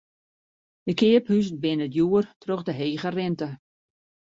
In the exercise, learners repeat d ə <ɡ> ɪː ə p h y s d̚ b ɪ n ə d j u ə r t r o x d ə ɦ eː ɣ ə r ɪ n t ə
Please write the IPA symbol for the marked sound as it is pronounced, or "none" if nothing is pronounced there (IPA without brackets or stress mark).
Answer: k